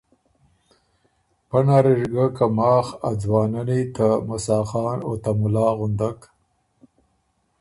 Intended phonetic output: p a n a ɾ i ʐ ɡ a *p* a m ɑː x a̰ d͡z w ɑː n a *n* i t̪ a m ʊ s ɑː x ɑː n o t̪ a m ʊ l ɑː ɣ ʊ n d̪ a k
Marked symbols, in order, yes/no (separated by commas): no, yes